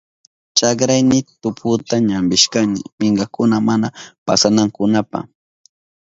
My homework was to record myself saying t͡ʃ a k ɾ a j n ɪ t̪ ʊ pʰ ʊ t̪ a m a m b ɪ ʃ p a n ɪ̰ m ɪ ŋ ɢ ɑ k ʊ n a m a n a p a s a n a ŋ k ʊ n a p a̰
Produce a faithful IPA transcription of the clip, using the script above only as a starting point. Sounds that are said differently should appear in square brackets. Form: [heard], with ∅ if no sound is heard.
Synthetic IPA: t͡ʃ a k ɾ a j n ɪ t̪ ʊ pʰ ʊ t̪ a [ɲ] a m b ɪ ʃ [k] a n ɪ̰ m ɪ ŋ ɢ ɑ k ʊ n a m a n a p a s a n a ŋ k ʊ n a p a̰

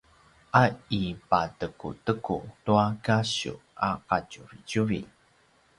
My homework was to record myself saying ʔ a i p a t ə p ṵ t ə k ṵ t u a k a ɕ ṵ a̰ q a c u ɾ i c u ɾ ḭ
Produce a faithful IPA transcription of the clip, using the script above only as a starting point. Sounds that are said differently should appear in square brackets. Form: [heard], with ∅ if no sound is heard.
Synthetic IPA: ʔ a i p a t ə [k] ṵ t ə k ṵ t u a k a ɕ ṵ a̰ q a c u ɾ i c u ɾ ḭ

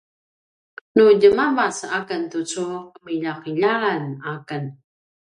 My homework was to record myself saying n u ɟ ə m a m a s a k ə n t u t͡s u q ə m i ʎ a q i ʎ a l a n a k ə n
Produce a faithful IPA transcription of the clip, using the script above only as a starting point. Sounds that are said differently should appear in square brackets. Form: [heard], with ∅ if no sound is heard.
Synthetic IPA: n u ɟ ə m a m a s a k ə n t u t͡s u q ə m i ʎ a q i ʎ a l a n a k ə n

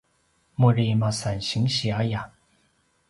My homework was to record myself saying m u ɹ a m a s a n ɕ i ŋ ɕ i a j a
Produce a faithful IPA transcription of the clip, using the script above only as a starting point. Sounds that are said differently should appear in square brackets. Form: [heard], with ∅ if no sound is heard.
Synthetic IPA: m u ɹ [i] m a s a n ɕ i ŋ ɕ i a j a

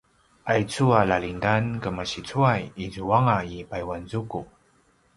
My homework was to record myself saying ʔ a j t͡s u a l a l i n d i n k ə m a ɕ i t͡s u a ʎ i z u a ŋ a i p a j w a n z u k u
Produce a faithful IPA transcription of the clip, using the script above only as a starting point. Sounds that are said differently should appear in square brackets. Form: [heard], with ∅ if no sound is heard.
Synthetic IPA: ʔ a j t͡s u a l a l i n d [a] n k ə m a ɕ i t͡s u a [j] i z u a ŋ a i p a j w a n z u k u

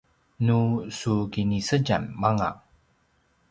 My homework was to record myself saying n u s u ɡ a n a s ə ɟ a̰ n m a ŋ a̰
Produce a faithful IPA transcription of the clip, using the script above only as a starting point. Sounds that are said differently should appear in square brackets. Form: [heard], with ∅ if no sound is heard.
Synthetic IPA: n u s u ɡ [i] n [i] s ə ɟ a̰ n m a ŋ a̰

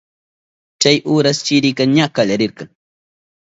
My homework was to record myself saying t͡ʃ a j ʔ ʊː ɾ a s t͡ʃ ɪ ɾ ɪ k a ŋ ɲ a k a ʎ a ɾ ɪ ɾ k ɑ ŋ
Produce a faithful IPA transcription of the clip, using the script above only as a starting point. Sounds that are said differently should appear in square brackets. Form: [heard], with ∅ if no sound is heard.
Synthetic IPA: t͡ʃ a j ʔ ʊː ɾ a s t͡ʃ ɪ ɾ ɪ k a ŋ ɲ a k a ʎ a ɾ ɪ ɾ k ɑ ŋ

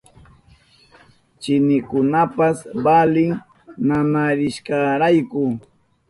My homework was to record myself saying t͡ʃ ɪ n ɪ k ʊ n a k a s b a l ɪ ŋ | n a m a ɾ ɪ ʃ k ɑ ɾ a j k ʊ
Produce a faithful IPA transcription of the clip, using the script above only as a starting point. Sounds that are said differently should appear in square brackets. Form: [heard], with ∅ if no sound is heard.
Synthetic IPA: t͡ʃ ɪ n ɪ k ʊ n a [p] a s b a l ɪ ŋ | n a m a ɾ ɪ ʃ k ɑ ɾ a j k ʊ

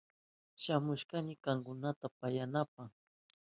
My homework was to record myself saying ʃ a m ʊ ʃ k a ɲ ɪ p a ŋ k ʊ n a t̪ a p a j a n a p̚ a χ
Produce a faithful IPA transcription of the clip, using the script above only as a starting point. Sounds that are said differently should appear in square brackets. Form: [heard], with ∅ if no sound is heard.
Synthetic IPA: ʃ a m ʊ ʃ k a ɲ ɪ [k] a ŋ k ʊ n a t̪ a p a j a n a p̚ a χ

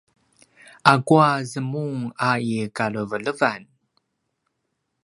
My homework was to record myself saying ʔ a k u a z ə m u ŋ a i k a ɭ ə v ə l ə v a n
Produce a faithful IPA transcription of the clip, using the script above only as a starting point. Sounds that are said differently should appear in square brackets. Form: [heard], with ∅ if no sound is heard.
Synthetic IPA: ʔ a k u a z ə m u ŋ a i k a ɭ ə v ə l ə v a n

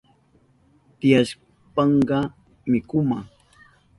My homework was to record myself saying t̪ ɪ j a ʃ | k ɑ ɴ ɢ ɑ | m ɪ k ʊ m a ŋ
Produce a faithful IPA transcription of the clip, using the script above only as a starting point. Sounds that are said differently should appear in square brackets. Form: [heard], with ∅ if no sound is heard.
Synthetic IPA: t̪ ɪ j a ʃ | [p] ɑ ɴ ɢ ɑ | m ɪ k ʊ m a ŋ

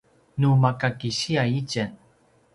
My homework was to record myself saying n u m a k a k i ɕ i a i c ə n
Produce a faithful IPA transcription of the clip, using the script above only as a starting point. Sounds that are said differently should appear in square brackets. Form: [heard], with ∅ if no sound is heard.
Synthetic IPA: n u m a k a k i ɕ i a i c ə n

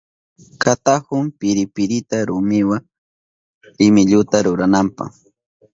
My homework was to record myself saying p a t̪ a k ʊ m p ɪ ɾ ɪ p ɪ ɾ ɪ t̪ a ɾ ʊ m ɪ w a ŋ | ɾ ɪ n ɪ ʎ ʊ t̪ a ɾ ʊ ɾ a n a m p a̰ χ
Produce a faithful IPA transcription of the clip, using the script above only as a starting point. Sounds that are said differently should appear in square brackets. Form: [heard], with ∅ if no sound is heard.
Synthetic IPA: [k] a t̪ a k ʊ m p ɪ ɾ ɪ p ɪ ɾ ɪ t̪ a ɾ ʊ m ɪ w a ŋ | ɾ ɪ [m] ɪ ʎ ʊ t̪ a ɾ ʊ ɾ a n a m p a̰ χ

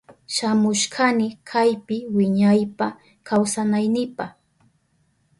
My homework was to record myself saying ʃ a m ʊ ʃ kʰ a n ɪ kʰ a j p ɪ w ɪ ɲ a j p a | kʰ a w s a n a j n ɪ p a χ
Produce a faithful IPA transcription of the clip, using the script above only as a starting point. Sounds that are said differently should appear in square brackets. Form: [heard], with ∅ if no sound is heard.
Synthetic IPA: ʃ a m ʊ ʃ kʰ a n ɪ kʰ a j p ɪ w ɪ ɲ a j p a | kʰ a w s a n a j n ɪ p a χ

